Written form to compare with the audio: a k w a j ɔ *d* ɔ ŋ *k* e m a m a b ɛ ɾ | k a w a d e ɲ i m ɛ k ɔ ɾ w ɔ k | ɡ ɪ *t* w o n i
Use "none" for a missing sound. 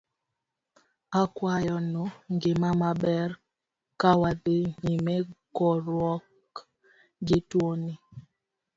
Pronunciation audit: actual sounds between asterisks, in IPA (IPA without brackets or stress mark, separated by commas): n, ɡ, t